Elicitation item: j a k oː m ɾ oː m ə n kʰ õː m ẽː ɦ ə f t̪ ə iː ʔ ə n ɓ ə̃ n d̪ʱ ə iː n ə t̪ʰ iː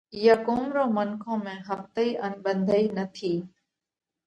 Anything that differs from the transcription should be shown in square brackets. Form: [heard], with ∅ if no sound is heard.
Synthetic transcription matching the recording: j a k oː m ɾ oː m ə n kʰ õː m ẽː ɦ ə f t̪ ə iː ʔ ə n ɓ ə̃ n d̪ʱ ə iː n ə t̪ʰ iː